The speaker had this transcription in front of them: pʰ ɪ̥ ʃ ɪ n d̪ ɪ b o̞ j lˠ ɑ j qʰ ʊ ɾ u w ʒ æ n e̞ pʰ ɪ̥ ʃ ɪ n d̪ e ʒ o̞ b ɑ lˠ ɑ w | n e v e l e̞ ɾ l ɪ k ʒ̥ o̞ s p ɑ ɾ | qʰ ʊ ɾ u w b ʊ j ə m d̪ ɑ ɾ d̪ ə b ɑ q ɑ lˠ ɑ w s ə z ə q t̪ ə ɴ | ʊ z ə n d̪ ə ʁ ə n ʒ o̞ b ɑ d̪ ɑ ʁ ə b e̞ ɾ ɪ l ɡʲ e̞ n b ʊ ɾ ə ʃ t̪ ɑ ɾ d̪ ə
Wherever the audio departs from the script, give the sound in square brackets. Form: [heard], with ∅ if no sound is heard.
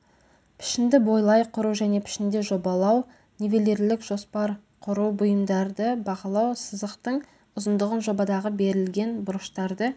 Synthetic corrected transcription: pʰ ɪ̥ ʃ ɪ n d̪ ɪ b o̞ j lˠ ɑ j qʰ ʊ ɾ u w ʒ æ n e̞ pʰ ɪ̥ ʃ ɪ n d̪ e ʒ o̞ b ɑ lˠ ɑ w | n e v e l e̞ ɾ l ɪ k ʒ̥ o̞ s p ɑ ɾ | qʰ ʊ ɾ u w b ʊ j ə m d̪ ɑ ɾ d̪ ə b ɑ q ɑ lˠ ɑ w s ə z ə q t̪ ə ɴ | ʊ z ə n d̪ ə ʁ ə n ʒ o̞ b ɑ d̪ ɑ ʁ ə b e̞ ɾ ɪ l ɡʲ e̞ n b ʊ ɾ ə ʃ t̪ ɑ ɾ d̪ ə